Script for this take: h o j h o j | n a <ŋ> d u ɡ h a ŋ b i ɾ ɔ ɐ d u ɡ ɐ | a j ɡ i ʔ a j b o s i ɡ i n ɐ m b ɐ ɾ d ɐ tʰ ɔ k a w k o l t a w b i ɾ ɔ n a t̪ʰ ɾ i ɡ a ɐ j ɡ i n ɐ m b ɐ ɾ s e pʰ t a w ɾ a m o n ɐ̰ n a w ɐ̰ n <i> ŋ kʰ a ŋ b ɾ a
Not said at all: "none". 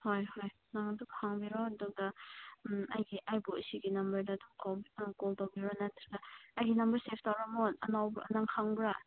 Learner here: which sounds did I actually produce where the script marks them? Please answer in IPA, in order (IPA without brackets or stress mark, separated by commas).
ŋ, a